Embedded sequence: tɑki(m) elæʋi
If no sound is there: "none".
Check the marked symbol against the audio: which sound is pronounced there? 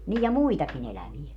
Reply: n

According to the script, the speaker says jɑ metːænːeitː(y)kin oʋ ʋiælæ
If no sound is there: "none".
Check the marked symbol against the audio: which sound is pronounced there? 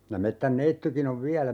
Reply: y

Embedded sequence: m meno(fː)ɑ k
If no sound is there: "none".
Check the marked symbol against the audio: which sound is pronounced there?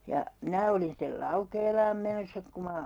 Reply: sː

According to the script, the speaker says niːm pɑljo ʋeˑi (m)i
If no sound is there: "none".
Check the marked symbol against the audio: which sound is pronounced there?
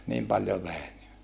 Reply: n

